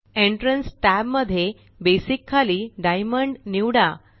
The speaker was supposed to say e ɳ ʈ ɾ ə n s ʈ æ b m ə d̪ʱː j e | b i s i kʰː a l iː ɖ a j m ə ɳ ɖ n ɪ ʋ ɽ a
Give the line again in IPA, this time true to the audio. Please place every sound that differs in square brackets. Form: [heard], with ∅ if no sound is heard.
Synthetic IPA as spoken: e ɳ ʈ ɾ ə n s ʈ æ b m ə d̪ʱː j e | b [e] s i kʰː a l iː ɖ a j m ə ɳ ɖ n [i] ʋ ɽ a